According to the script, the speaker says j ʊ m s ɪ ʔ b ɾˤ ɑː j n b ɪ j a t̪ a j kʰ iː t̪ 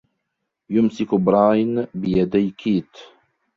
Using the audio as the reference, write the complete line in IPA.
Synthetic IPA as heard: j ʊ m s ɪ k b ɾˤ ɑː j n b ɪ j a d̪ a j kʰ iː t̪